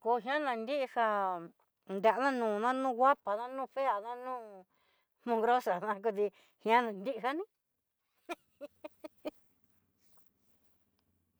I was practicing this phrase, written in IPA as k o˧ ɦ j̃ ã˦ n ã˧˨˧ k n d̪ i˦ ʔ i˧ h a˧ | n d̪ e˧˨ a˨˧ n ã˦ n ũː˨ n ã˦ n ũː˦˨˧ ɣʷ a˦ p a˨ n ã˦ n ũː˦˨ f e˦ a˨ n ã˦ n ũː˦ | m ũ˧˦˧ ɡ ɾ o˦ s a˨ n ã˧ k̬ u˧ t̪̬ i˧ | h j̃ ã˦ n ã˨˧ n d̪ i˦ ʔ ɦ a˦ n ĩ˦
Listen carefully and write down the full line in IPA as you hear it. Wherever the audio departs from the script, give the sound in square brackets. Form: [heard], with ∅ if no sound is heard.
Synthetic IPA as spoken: k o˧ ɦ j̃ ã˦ n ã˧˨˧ [∅] n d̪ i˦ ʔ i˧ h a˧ | n d̪ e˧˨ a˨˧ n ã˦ n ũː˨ n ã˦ n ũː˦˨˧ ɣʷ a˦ p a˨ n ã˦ n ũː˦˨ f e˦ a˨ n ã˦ n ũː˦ | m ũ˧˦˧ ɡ ɾ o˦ s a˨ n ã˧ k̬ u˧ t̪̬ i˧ | h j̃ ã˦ n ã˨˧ n d̪ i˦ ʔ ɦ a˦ n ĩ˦

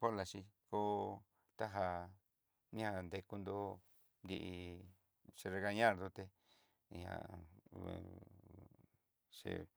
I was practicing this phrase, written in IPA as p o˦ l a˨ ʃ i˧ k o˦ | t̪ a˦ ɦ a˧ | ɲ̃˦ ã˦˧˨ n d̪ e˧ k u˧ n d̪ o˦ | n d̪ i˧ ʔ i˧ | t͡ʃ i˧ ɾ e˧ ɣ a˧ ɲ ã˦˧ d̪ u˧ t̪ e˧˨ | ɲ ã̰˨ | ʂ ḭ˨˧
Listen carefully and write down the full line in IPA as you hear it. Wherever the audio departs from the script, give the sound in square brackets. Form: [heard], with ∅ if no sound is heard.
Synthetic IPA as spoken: p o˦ l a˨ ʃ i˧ k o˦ | t̪ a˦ ɦ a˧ | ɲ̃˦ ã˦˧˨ n d̪ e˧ k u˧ n d̪ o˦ | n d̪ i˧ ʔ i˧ | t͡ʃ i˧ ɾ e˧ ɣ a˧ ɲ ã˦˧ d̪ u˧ t̪ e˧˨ | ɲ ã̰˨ | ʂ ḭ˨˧

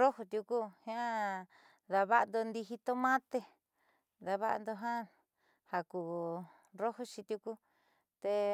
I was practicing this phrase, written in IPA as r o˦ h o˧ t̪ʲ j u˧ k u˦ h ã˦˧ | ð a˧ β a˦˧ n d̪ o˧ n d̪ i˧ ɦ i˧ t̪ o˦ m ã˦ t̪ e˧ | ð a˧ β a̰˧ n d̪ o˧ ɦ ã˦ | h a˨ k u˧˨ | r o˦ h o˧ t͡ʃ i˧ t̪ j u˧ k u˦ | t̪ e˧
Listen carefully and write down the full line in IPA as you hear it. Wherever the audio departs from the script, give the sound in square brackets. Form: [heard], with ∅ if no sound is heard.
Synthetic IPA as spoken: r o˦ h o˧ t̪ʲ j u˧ k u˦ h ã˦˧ | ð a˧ β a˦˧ n d̪ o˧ n d̪ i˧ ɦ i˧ t̪ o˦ m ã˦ t̪ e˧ | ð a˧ β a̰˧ n d̪ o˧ ɦ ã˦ | h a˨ k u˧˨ | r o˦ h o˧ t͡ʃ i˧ t̪ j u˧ k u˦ | t̪ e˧

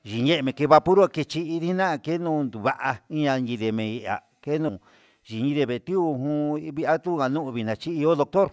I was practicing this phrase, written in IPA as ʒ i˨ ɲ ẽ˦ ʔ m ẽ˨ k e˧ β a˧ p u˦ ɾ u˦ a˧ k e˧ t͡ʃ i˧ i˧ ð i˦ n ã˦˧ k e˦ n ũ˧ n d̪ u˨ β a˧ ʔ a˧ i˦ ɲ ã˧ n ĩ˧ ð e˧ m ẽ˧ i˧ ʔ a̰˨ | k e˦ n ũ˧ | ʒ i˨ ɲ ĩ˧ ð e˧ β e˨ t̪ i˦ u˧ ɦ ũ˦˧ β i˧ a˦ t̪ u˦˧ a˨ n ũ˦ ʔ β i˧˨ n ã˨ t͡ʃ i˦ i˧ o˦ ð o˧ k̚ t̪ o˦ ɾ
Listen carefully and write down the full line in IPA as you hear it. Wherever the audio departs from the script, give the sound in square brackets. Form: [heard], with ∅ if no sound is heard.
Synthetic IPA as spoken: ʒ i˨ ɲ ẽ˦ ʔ m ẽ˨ k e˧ β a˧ p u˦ ɾ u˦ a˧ k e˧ t͡ʃ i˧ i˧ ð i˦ n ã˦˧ k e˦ n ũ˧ n d̪ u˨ β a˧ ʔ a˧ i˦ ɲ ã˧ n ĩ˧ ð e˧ m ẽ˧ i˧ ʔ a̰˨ | k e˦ n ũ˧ | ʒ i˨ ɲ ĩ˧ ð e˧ β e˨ t̪ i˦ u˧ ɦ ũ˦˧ β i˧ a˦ t̪ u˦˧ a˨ n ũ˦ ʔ β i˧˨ n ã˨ t͡ʃ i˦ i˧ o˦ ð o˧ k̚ t̪ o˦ ɾ

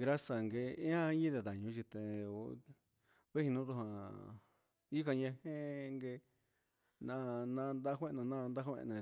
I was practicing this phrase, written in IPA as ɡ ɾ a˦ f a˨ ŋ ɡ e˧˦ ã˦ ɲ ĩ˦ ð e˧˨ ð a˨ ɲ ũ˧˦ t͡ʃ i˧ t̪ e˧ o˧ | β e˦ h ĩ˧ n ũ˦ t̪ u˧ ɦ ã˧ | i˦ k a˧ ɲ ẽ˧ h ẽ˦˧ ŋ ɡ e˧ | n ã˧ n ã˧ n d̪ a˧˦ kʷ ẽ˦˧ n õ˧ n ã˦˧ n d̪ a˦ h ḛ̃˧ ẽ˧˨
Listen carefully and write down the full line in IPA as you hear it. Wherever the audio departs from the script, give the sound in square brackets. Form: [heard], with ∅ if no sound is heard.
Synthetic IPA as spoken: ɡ ɾ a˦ [s] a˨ ŋ ɡ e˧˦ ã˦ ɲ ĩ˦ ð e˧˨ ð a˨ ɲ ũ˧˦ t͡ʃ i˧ t̪ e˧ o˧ | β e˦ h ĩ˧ n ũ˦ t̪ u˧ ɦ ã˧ | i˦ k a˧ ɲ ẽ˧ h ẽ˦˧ ŋ ɡ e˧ | n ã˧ n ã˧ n d̪ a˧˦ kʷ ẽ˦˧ n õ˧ n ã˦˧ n d̪ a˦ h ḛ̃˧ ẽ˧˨

